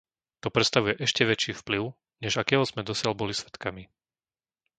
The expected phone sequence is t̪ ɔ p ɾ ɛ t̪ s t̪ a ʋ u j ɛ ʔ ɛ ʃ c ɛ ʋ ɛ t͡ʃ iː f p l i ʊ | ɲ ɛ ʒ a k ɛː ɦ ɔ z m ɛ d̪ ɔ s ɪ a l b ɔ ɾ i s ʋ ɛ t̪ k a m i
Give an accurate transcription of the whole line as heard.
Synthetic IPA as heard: t̪ ɔ p ɾ ɛ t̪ s t̪ a ʋ u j ɛ ʔ ɛ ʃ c ɛ ʋ ɛ t͡ʃ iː f p l i ʊ | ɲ ɛ ʒ a k ɛː ɦ ɔ z m ɛ d̪ ɔ s ɪ a l b ɔ l i s ʋ ɛ t̪ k a m i

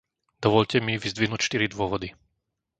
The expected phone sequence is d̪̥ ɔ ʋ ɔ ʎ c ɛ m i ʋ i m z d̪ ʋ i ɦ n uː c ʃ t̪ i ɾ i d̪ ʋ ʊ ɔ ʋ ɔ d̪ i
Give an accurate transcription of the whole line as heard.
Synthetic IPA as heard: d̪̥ ɔ ʋ ɔ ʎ c ɛ m i ʋ i z d̪ ʋ i ɦ n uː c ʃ t̪ i ɾ i d̪ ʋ ʊ ɔ ʋ ɔ d̪ i

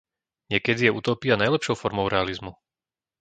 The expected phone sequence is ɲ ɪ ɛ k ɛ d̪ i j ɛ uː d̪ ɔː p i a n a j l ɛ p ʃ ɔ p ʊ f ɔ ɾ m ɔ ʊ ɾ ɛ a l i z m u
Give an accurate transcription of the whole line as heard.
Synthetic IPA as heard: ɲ ɪ ɛ k ɛ d̪ i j ɛ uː t̪ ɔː p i a n a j l ɛ p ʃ ɔ ʊ f ɔ ɾ m ɔ ʊ ɾ ɛ a l i z m u

